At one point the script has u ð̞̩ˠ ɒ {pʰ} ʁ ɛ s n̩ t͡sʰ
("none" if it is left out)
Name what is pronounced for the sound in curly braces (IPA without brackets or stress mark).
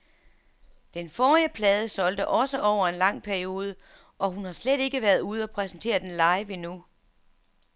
pʰ